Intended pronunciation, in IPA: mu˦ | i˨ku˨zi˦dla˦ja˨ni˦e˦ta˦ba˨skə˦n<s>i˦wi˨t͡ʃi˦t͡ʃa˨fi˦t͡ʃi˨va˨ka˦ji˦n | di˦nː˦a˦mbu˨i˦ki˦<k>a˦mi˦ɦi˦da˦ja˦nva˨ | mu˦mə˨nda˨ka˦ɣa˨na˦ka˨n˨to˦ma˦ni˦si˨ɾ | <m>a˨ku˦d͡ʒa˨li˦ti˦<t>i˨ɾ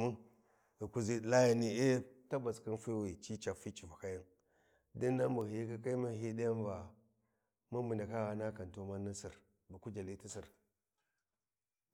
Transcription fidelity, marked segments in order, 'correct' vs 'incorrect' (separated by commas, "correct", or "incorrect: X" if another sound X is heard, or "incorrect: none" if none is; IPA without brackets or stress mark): incorrect: f, correct, incorrect: b, incorrect: s